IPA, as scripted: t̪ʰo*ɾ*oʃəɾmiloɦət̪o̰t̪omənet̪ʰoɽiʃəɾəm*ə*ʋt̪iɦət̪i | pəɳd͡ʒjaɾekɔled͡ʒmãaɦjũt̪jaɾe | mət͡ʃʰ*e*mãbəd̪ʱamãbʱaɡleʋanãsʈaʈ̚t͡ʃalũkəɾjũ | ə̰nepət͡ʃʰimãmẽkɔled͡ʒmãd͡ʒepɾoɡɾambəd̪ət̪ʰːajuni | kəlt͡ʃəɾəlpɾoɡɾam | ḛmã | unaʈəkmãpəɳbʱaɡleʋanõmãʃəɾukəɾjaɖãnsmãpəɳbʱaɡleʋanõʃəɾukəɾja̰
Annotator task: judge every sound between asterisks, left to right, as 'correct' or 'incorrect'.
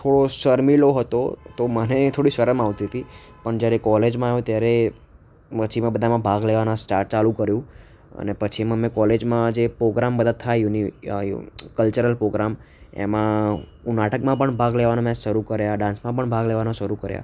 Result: incorrect, incorrect, incorrect

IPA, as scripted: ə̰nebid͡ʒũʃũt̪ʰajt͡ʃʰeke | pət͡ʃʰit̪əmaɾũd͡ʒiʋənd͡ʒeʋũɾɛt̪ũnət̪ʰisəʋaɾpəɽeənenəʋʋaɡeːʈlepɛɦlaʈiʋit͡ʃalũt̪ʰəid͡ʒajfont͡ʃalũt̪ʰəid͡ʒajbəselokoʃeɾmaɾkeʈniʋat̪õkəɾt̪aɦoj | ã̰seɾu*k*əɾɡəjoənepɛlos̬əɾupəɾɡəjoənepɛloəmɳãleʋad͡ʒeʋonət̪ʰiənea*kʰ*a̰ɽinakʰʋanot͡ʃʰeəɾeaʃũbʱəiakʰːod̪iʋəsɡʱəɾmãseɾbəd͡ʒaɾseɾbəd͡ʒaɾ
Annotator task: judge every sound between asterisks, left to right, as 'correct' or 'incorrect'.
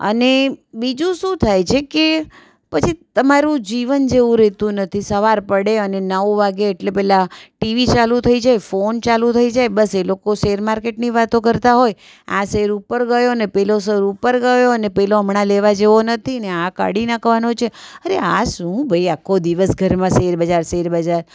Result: incorrect, incorrect

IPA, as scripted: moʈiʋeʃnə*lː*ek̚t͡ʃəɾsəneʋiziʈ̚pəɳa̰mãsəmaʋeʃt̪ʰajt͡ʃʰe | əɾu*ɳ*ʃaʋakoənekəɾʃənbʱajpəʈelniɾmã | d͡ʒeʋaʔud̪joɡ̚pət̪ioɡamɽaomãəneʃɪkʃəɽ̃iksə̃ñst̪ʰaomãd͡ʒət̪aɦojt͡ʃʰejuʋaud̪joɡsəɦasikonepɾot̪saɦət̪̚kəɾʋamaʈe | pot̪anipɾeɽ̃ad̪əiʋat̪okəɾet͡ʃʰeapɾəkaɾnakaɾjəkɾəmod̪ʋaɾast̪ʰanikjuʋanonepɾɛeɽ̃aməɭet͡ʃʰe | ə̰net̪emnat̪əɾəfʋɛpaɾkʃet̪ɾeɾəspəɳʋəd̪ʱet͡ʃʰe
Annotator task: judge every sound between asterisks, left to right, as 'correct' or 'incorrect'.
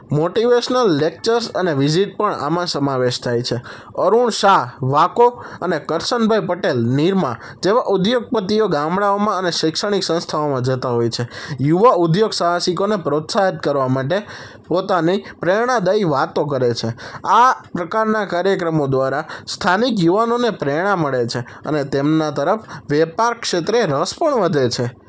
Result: correct, correct

